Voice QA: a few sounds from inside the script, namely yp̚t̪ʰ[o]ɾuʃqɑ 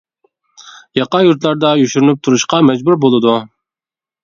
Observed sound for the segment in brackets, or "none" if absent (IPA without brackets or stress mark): u